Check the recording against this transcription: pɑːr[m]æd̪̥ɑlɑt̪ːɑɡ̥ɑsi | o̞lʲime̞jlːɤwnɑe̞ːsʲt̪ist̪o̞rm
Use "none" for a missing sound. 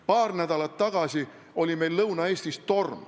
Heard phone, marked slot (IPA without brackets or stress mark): n